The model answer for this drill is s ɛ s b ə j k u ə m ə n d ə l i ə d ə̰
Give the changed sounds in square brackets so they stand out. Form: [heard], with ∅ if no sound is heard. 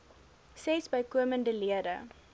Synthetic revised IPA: s ɛ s b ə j k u ə m ə n d ə l i ə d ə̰

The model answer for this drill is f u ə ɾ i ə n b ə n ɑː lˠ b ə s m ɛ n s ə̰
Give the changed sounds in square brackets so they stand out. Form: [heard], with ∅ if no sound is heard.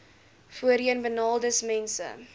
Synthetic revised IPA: f u ə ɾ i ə n b ə n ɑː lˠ [d] ə s m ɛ n s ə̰

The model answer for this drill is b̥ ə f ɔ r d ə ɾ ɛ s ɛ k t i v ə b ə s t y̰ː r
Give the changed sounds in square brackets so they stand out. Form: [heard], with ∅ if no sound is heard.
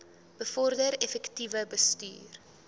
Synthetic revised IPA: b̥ ə f ɔ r d ə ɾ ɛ [f] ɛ k t i v ə b ə s t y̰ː r

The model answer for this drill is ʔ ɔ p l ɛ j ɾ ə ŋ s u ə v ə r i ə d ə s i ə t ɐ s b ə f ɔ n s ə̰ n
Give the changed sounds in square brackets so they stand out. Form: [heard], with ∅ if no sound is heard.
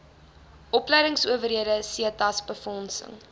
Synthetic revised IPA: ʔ ɔ p l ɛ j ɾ ə ŋ s u ə v ə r i ə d ə s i ə t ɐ s b ə f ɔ n s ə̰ [ŋ]

